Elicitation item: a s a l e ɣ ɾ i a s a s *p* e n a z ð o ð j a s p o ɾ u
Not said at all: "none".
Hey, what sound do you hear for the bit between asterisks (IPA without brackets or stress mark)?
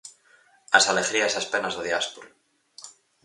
p